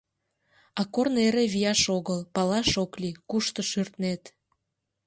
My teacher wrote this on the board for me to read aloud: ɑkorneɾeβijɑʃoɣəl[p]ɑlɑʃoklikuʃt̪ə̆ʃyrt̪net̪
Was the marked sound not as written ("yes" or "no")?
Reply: no